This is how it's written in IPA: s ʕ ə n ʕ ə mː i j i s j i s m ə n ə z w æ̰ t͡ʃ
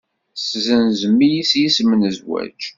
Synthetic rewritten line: s z ə n z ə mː i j i s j i s m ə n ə z w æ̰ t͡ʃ